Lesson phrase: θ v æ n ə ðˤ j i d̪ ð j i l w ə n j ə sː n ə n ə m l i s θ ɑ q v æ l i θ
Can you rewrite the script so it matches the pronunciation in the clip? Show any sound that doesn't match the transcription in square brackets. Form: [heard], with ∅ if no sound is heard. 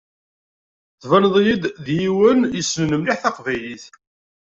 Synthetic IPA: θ v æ n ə ðˤ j i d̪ ð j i [∅] w ə n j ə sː n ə n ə m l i [ħ] θ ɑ q v æ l i θ